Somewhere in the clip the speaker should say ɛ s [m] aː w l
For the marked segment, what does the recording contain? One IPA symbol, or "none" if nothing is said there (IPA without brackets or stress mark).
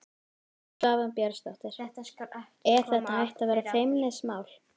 m